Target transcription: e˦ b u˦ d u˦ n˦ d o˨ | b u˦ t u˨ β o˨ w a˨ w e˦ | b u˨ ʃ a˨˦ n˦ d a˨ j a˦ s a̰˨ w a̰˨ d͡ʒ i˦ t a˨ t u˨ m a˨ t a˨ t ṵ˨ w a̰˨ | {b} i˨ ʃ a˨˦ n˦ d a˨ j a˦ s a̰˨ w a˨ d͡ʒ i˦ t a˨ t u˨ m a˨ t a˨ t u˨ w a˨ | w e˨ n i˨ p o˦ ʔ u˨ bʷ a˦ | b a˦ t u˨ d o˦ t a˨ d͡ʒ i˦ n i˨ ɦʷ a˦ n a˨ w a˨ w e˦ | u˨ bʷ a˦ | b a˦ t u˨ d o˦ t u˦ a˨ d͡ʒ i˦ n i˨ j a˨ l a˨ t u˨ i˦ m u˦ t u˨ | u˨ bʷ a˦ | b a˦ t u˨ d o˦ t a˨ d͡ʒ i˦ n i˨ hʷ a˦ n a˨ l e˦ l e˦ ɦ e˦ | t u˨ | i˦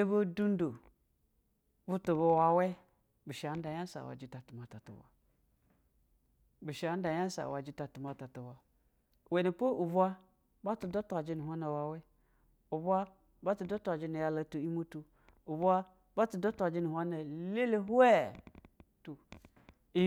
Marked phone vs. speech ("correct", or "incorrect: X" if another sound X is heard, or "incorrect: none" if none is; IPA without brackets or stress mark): correct